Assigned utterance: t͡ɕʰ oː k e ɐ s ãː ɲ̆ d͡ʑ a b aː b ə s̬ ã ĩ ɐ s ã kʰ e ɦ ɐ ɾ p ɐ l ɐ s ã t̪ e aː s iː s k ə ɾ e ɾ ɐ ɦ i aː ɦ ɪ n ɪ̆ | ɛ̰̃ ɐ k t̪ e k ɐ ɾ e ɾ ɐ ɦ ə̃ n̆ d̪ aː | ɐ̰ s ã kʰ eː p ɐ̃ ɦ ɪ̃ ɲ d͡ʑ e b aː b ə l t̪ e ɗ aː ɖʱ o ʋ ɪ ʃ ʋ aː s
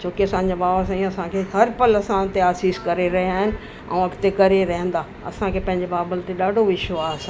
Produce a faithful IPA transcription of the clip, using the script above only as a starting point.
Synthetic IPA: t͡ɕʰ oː k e ɐ s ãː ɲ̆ d͡ʑ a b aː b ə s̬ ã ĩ ɐ s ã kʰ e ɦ ɐ ɾ p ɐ l ɐ s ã t̪ e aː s iː s k ɐ ɾ e ɾ ɐ ɦ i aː ɦ ɪ n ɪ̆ | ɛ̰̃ ɐ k t̪ e k ɐ ɾ e ɾ ɐ ɦ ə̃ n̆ d̪ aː | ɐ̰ s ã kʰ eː p ɐ̃ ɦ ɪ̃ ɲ d͡ʑ e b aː b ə l t̪ e ɗ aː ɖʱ o ʋ ɪ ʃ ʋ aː s